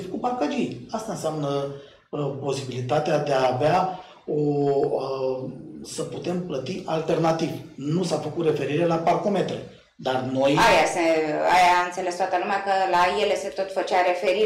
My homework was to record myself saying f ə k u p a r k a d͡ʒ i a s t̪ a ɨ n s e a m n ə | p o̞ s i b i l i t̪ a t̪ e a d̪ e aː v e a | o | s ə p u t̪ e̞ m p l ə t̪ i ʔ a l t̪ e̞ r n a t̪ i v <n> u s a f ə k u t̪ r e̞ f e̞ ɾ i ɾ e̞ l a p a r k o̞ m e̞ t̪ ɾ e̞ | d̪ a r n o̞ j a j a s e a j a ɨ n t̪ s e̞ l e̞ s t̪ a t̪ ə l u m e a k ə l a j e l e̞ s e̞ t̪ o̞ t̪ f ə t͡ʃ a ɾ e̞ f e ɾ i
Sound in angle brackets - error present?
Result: no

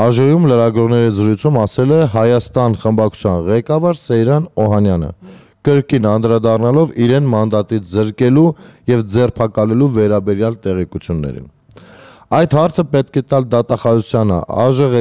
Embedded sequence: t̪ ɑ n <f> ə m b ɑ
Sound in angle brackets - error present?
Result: yes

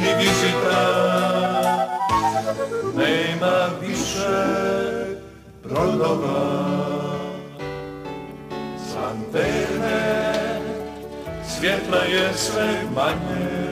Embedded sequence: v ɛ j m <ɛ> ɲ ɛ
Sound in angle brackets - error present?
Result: yes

